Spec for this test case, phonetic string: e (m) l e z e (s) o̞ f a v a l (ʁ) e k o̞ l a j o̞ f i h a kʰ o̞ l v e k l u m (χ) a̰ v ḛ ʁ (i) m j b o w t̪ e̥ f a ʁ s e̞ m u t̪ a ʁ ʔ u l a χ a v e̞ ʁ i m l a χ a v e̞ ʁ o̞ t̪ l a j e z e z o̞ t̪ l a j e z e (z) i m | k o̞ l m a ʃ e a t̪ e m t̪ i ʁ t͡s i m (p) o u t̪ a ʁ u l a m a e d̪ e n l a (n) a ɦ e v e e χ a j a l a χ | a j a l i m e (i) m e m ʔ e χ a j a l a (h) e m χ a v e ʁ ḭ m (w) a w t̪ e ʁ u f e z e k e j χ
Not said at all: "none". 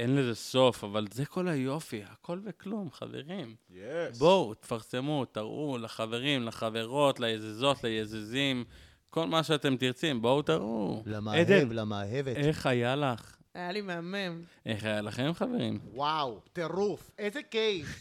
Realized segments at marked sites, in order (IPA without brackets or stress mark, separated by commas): n, s, z, χ, i, z, b, m, a, χ, w